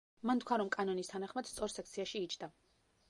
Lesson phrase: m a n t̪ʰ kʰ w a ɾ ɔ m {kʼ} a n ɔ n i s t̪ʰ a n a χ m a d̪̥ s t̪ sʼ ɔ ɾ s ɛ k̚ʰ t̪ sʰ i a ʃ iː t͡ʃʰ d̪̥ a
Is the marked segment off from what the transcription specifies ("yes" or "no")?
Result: no